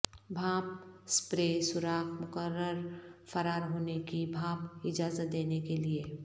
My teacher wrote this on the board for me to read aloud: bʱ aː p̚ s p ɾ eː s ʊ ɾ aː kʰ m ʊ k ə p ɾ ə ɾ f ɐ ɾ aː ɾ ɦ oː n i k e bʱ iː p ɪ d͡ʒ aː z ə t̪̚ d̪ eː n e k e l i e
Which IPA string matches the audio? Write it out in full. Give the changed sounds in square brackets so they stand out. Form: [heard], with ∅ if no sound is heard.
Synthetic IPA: bʱ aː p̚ s p ɾ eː s ʊ ɾ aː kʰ m ʊ k ə [∅] ɾ ə ɾ f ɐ ɾ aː ɾ ɦ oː n [e] k [i] bʱ [aː] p ɪ d͡ʒ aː z ə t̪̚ d̪ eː n e k e l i e

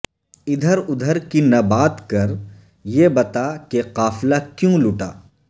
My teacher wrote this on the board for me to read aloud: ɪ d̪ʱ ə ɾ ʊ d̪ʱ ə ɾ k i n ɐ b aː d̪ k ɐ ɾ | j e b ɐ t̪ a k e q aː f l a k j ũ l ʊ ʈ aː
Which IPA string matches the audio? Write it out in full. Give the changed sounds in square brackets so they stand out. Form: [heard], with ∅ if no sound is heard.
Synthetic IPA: ɪ d̪ʱ ə ɾ ʊ d̪ʱ ə ɾ k i n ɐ b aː [t̪] k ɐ ɾ | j e b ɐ t̪ a k e q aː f l a k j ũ l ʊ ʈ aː

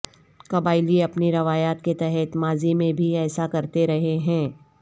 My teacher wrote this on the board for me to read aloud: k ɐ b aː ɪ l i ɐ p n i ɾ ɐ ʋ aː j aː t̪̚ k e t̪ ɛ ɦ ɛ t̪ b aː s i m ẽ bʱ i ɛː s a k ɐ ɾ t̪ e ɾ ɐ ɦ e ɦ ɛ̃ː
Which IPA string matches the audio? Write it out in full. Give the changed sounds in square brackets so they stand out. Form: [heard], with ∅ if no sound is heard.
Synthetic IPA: k ɐ b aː ɪ l i ɐ p n i ɾ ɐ ʋ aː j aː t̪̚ k e t̪ ɛ ɦ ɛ t̪ [m] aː [z] i m ẽ bʱ i ɛː s a k ɐ ɾ t̪ e ɾ ɐ ɦ e ɦ ɛ̃ː

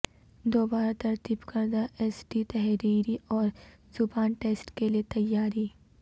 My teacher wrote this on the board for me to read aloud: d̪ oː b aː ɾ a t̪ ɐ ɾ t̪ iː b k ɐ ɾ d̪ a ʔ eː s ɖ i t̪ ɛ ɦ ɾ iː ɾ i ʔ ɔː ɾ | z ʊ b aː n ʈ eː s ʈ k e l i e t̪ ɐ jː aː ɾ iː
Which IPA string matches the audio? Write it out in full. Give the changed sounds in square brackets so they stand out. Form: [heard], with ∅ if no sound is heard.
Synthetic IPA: d̪ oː b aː ɾ a t̪ ɐ ɾ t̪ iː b k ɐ ɾ d̪ a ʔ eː s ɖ i t̪ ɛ ɦ ɾ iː ɾ i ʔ ɔː ɾ | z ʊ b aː n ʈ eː s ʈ k e l i e t̪ ɐ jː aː ɾ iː

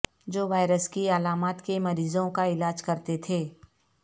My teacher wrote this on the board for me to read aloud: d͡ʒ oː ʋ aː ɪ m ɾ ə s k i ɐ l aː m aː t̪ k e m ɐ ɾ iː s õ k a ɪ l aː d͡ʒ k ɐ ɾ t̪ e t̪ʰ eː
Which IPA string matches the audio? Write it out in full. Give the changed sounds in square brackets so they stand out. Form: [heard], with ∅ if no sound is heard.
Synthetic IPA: d͡ʒ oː ʋ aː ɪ [∅] ɾ ə s k i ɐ l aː m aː t̪ k e m ɐ ɾ iː [z] õ k a ɪ l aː d͡ʒ k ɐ ɾ t̪ e t̪ʰ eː

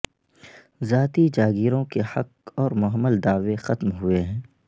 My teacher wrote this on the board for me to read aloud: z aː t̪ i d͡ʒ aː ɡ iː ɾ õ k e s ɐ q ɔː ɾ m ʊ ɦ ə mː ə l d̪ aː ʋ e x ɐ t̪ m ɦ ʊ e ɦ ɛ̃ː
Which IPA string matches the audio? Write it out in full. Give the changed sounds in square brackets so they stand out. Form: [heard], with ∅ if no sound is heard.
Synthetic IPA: z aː t̪ i d͡ʒ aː ɡ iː ɾ õ k e [h] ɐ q ɔː ɾ m ʊ ɦ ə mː ə l d̪ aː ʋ e x ɐ t̪ m ɦ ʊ e ɦ ɛ̃ː

